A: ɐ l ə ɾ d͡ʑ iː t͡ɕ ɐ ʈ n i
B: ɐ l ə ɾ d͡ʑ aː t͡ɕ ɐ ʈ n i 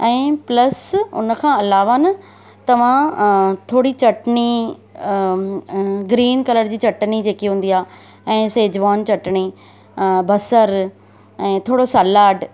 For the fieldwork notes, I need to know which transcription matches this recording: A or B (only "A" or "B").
A